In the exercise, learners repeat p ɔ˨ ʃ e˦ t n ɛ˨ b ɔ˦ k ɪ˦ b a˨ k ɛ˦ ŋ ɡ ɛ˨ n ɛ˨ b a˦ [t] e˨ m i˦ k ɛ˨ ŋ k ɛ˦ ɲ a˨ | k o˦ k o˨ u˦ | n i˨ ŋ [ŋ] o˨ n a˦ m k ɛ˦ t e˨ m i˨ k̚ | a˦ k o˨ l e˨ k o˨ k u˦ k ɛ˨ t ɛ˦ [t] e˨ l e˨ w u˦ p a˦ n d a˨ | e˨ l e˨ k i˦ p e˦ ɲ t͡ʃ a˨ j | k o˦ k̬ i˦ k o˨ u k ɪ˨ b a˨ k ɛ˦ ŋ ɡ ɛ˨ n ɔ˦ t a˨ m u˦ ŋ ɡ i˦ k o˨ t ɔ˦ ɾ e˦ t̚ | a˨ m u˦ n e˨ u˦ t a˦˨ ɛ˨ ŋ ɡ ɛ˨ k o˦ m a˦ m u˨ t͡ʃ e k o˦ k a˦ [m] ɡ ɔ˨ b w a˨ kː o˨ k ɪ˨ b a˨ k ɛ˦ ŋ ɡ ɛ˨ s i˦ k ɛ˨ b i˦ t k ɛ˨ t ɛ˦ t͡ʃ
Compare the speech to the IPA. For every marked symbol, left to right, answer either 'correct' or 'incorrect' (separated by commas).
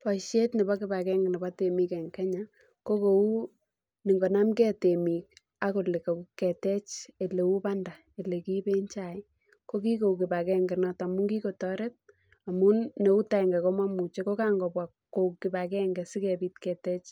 correct, incorrect, incorrect, incorrect